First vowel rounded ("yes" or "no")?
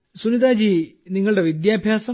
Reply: yes